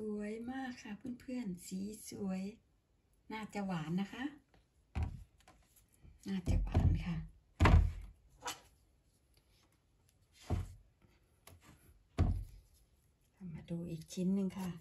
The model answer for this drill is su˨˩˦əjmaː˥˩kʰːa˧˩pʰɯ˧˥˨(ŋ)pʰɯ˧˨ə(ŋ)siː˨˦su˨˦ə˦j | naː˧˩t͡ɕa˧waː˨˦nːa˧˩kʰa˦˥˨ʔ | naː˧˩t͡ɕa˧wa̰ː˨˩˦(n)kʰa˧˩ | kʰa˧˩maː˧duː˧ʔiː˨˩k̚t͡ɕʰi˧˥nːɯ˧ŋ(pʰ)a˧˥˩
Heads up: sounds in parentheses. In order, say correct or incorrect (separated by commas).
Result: incorrect, incorrect, correct, incorrect